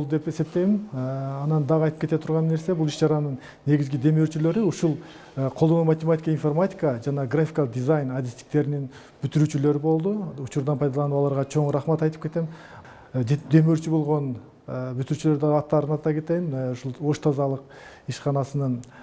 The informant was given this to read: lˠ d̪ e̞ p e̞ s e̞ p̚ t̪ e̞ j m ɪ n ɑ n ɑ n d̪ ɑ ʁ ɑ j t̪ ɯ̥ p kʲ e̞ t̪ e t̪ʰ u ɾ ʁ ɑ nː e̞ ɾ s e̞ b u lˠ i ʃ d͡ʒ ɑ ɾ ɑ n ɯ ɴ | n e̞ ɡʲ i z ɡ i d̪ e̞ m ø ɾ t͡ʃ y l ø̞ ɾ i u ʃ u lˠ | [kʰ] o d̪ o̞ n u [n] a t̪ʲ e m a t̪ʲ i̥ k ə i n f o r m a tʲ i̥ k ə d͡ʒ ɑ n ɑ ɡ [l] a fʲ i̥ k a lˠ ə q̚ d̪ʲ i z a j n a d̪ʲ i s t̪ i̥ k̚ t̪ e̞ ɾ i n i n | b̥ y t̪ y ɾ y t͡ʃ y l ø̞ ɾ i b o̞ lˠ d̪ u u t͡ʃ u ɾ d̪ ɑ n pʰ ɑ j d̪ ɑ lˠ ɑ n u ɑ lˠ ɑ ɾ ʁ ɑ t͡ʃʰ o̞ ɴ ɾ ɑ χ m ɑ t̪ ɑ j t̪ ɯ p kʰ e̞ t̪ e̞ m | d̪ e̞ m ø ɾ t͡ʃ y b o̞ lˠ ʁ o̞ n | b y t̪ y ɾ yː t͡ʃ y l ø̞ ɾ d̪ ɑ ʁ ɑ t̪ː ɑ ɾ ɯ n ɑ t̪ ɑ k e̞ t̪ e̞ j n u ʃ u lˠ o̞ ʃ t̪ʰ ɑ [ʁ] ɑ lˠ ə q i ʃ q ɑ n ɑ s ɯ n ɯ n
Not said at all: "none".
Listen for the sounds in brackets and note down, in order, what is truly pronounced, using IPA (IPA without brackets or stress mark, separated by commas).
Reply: qʰ, m, r, z